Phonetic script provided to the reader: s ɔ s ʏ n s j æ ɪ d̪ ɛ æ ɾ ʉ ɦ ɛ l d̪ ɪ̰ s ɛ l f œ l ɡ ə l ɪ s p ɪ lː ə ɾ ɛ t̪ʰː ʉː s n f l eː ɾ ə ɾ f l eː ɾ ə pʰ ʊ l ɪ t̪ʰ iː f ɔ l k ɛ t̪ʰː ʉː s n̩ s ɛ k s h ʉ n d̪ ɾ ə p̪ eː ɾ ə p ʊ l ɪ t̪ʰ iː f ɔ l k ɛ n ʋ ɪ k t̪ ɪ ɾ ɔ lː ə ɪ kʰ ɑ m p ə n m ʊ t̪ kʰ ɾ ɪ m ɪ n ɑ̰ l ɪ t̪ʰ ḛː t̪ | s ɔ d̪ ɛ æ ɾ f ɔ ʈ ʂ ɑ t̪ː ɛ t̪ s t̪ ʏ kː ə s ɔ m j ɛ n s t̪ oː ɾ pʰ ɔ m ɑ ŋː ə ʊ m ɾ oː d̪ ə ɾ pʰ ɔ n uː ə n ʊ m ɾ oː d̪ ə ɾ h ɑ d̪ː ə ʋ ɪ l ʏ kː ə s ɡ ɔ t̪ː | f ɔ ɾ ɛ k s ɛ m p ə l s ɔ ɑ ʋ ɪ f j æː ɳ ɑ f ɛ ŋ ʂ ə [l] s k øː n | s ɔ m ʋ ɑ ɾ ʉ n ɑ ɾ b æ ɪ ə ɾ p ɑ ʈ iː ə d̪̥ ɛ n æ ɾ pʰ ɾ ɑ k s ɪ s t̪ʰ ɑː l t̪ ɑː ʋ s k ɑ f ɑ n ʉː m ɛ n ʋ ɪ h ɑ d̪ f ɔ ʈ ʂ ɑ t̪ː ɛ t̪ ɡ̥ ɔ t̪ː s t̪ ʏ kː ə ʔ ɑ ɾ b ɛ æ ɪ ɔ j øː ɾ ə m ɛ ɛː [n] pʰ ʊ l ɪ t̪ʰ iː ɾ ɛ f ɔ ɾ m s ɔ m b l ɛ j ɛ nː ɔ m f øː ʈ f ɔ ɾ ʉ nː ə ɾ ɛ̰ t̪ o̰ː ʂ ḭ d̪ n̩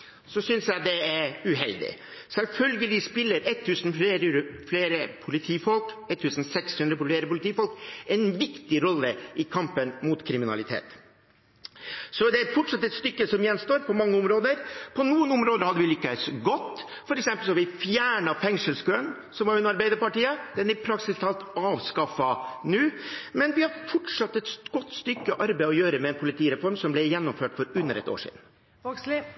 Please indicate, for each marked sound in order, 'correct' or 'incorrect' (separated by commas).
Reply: correct, correct